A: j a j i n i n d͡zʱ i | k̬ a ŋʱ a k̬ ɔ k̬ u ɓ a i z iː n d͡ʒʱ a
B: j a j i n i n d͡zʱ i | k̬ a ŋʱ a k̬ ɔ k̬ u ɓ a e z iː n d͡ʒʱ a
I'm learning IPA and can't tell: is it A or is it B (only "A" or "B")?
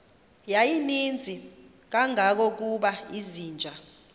A